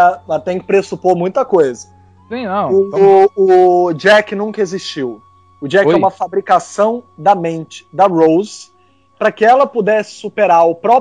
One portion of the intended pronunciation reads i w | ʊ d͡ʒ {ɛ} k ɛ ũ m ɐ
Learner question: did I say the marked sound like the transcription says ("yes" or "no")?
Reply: yes